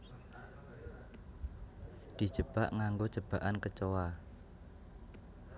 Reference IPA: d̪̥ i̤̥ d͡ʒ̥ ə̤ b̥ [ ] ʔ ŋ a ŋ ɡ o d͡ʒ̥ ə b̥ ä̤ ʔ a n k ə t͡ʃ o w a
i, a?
a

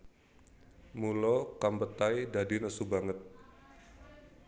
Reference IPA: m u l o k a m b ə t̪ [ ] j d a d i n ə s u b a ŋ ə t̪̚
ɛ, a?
a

